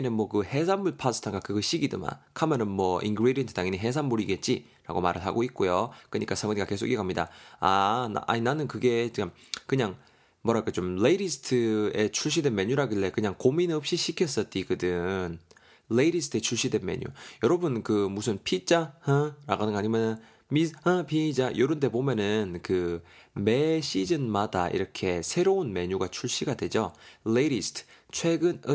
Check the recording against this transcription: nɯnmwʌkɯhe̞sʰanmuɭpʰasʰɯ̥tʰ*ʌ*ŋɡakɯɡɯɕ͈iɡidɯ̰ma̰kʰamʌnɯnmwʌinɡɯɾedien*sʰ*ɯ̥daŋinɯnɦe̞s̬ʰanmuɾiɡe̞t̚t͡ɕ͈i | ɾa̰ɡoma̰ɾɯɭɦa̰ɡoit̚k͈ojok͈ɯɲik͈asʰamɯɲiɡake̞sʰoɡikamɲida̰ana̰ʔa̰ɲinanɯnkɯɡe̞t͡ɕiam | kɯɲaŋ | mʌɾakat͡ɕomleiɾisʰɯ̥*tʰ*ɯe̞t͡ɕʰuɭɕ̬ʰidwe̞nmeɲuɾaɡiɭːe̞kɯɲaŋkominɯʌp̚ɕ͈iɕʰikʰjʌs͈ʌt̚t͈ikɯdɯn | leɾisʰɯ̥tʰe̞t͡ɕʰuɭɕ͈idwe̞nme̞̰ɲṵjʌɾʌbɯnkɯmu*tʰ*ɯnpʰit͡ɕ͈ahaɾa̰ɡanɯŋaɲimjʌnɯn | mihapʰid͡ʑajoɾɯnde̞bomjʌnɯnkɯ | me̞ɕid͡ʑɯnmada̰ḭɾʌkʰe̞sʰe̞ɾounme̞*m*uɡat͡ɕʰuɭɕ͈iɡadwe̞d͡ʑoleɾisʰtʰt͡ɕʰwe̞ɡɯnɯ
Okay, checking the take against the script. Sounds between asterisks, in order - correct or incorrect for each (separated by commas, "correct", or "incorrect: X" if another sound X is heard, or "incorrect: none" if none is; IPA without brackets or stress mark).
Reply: incorrect: a, incorrect: tʰ, correct, incorrect: sʰ, incorrect: ɲ